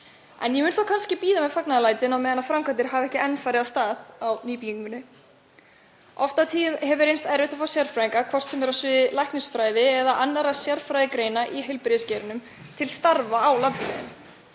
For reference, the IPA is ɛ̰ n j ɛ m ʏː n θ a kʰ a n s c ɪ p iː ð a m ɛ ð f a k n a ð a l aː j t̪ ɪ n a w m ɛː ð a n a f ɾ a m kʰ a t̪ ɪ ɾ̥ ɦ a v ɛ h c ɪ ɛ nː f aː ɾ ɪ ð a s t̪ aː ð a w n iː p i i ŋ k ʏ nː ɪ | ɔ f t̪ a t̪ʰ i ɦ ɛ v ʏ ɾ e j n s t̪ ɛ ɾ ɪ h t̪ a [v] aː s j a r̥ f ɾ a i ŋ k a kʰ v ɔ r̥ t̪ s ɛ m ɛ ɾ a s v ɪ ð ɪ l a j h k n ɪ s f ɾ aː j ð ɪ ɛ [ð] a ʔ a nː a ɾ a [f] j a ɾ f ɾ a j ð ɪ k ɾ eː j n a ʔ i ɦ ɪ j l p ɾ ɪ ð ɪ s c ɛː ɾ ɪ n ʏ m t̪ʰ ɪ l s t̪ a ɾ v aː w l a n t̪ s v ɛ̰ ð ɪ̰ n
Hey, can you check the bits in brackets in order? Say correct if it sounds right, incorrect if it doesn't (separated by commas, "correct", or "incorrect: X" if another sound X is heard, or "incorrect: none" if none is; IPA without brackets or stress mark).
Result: incorrect: f, correct, incorrect: s